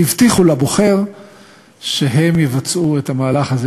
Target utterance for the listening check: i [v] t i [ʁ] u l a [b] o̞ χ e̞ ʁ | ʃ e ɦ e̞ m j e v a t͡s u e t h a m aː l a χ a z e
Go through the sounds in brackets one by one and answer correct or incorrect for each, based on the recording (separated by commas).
correct, incorrect, correct